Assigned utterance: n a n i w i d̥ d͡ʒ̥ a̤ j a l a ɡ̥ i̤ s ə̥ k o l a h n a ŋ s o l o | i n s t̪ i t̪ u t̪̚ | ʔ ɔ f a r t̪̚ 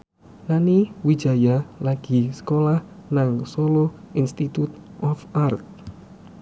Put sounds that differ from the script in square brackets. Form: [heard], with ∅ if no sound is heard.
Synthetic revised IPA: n a n i w i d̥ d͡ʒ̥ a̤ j a l a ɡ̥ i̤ s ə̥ k o l a h n a ŋ s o l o | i n s t̪ i t̪ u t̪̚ | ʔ ɔ f a r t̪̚